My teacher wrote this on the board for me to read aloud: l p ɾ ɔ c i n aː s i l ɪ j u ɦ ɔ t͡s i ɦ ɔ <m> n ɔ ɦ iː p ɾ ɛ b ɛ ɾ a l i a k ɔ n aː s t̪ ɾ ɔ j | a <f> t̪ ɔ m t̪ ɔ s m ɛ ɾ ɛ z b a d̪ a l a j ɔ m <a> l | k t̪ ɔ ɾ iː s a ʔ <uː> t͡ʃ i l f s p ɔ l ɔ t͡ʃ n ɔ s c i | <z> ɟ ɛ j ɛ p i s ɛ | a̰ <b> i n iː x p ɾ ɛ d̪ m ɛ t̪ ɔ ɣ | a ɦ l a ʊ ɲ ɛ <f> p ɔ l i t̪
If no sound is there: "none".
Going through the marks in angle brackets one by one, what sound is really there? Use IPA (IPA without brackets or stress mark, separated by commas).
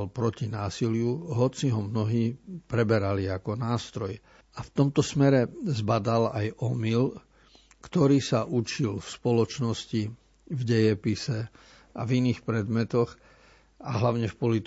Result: m, f, i, u, v, v, f